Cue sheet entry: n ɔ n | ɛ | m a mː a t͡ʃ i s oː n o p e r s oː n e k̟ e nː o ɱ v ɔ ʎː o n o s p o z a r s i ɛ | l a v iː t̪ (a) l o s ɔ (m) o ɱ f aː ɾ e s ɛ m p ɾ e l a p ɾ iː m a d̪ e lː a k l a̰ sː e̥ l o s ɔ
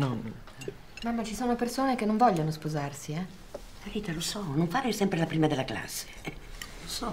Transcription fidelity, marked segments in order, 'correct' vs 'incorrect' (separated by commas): correct, incorrect